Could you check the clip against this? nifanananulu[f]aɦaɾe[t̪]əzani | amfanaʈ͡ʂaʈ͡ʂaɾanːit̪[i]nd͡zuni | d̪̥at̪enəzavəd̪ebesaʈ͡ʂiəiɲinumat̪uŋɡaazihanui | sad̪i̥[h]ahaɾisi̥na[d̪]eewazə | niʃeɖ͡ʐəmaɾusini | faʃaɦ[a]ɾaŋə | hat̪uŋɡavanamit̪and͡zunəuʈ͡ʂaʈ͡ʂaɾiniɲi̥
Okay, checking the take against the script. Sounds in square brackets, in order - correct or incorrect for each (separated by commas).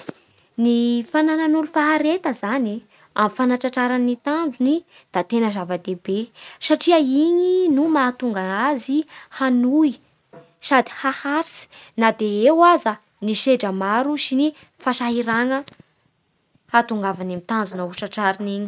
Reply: correct, correct, incorrect, correct, correct, incorrect